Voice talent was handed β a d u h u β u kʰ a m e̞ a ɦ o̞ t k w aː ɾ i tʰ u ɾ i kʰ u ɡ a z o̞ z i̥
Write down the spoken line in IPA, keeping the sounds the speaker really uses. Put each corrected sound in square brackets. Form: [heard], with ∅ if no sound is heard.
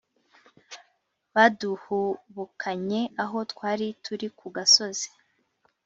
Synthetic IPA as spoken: β a d u h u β u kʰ a [ɲ] e̞ a ɦ o̞ t k w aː ɾ i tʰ u ɾ i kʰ u ɡ a [s] o̞ z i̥